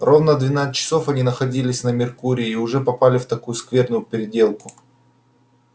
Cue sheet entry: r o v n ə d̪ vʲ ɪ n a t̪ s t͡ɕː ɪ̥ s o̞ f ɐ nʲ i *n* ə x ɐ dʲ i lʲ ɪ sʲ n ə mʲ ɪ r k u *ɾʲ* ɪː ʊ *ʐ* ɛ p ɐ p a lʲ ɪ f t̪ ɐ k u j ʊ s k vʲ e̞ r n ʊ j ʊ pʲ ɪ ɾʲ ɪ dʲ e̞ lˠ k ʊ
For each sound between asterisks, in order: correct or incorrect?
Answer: correct, correct, correct

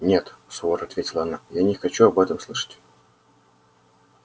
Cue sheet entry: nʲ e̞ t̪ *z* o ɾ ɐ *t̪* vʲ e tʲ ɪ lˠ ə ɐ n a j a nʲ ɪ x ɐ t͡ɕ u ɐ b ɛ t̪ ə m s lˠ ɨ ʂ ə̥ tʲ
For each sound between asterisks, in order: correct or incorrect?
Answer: incorrect: s, correct

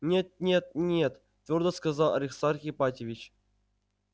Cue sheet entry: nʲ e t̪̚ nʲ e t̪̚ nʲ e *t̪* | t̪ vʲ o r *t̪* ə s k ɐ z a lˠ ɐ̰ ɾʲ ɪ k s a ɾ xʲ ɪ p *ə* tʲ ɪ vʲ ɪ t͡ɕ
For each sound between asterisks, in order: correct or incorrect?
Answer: correct, incorrect: d̪, incorrect: a

